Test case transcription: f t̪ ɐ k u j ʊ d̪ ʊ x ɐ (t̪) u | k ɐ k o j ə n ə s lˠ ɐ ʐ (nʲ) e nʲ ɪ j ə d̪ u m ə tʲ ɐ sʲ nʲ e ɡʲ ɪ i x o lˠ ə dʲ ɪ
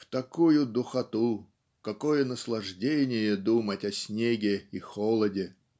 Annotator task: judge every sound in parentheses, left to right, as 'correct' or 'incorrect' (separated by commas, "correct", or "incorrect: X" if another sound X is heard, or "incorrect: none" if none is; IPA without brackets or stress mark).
correct, incorrect: dʲ